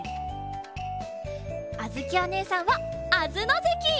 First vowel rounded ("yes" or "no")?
no